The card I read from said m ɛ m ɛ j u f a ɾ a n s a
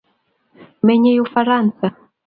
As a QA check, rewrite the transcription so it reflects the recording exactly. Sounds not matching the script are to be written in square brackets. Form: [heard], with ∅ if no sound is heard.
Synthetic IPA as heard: m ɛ [ɲ] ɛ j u f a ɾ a n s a